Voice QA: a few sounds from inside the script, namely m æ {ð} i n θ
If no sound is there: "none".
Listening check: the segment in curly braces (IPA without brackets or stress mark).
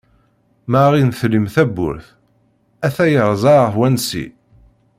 ʁ